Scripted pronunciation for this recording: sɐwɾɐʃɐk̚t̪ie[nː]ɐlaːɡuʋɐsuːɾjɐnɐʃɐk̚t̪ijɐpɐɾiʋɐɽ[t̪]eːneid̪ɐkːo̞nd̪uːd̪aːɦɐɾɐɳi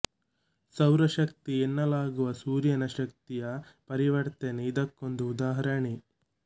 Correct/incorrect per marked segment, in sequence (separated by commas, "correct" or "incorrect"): correct, correct